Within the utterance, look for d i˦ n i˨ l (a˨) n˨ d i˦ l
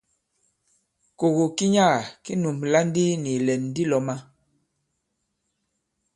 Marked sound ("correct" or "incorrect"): incorrect